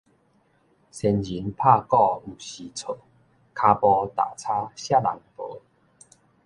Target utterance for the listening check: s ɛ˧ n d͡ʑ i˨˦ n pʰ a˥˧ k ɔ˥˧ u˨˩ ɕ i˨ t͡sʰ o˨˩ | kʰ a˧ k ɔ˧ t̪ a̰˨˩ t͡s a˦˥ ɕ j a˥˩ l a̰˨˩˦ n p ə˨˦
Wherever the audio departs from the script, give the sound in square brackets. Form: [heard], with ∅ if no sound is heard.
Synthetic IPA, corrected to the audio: s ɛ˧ n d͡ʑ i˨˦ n pʰ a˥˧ k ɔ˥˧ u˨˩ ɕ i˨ t͡sʰ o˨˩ | kʰ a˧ [p] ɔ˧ t̪ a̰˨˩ [t͡sʰ] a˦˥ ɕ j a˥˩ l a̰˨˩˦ [ŋ] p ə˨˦